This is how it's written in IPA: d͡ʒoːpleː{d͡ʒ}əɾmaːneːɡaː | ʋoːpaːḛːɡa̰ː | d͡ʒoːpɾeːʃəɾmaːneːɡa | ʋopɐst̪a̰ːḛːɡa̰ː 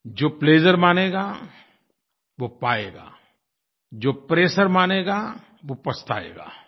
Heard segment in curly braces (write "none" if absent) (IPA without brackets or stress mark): d͡ʒ